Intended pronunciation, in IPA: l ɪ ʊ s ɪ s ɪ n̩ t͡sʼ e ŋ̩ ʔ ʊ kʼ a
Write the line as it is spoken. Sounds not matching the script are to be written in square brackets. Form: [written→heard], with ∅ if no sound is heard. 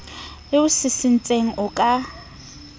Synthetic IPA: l ɪ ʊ s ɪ s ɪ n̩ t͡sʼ e ŋ̩ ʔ ʊ kʼ a